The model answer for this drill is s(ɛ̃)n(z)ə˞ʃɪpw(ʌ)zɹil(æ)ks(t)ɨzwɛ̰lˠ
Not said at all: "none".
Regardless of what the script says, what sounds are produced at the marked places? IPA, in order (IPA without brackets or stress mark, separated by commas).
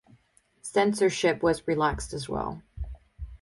ɛ̃, s, ʌ, æ, t